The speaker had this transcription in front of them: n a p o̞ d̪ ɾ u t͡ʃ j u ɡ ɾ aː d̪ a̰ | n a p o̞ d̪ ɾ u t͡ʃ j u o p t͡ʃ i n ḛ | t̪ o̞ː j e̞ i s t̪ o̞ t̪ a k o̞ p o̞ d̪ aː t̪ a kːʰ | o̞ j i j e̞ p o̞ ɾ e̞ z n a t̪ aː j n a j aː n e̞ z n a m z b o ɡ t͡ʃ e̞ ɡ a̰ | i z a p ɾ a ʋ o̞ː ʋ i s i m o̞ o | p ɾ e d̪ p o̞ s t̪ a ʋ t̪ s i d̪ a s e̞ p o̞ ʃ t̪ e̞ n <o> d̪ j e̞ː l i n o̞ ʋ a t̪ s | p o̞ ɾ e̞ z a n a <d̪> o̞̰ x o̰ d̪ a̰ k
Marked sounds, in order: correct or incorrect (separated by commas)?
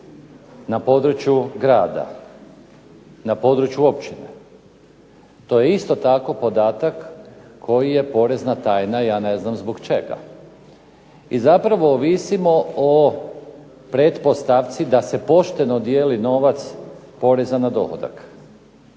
correct, correct